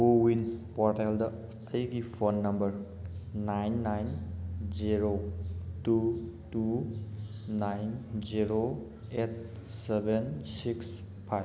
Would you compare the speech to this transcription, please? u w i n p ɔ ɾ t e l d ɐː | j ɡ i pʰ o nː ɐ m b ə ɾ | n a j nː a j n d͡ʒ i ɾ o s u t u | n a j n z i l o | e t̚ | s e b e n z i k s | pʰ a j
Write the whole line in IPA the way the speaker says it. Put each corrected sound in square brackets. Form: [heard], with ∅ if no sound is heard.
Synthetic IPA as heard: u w i n p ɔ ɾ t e l d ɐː | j ɡ i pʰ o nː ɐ m b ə ɾ | n a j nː a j n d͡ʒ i ɾ o [t] u t u | n a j n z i [ɾ] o | e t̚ | s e b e n [s] i k s | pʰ a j